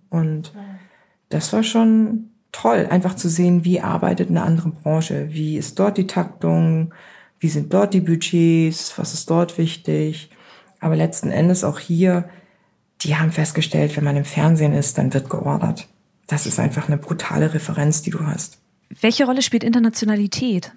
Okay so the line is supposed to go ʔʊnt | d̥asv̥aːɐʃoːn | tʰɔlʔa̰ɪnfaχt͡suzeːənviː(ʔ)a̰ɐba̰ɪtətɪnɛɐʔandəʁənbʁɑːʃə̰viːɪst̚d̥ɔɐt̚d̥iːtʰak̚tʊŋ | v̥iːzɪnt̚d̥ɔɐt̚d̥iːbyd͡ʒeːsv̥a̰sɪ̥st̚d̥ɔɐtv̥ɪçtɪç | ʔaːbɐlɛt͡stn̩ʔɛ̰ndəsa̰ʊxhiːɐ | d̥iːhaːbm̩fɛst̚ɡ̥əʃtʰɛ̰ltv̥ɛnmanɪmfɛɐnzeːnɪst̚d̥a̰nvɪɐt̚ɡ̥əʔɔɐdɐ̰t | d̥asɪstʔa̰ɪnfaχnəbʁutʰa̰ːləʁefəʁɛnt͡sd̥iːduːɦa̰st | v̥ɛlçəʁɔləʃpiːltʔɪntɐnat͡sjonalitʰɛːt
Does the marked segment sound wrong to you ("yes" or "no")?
no